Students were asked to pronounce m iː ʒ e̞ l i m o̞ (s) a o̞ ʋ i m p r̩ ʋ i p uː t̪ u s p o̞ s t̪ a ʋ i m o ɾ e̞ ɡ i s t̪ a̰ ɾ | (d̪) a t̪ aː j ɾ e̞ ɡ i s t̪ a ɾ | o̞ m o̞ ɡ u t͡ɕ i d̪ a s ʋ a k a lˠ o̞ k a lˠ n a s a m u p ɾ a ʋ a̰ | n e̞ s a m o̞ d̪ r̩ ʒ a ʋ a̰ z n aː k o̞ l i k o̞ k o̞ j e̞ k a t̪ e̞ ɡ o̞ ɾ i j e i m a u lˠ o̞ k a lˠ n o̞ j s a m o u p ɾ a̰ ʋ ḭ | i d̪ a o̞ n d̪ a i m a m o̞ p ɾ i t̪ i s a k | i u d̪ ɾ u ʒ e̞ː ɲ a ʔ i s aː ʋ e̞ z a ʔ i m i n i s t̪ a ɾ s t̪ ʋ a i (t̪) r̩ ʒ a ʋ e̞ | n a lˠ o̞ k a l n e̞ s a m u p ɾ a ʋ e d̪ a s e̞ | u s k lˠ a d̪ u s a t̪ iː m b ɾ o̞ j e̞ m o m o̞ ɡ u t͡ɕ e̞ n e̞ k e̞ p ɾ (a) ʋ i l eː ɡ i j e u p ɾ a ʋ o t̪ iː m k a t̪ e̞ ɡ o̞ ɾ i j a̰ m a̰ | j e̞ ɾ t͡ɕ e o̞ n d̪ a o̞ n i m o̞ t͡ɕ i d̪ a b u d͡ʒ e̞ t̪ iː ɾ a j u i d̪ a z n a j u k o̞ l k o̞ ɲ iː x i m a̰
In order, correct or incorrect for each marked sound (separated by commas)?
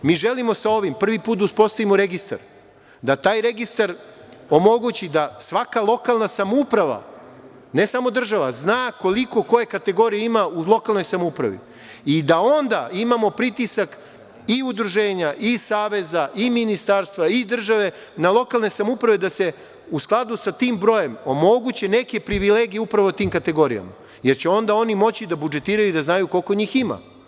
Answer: correct, correct, incorrect, incorrect